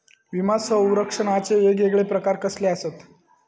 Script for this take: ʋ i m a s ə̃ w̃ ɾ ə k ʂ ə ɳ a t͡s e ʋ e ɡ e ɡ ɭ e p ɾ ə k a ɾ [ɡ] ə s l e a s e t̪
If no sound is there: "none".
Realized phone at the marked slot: k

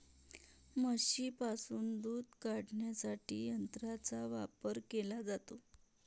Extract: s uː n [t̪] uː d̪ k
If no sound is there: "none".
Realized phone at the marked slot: d̪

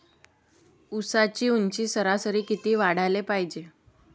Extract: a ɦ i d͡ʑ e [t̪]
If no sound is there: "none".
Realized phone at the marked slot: none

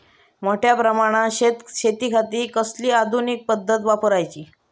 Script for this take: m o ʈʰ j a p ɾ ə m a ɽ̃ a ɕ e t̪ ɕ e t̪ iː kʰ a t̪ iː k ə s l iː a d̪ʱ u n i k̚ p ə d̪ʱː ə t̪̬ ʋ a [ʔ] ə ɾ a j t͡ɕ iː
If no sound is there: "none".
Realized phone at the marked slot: p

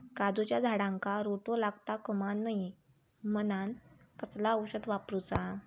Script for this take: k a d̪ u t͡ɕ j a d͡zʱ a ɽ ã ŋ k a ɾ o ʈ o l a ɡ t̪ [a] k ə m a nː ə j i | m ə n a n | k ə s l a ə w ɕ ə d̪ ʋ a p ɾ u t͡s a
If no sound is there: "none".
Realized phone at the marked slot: a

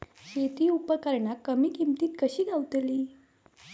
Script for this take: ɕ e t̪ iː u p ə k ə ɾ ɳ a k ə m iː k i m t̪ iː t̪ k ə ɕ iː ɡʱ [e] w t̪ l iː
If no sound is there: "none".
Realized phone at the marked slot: a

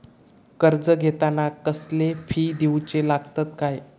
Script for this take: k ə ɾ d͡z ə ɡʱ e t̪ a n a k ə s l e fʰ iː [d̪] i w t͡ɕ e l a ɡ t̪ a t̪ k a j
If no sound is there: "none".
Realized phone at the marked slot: d̪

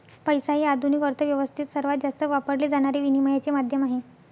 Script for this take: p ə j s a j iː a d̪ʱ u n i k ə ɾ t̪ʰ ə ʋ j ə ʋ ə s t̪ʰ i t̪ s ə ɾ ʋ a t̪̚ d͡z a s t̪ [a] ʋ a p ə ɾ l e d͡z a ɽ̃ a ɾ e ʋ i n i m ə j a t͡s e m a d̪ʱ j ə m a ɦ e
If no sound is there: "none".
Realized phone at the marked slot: ə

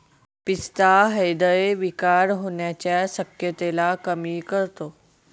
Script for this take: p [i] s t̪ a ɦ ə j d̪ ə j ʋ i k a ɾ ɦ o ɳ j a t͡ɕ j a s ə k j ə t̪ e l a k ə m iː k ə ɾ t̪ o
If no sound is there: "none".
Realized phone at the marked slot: i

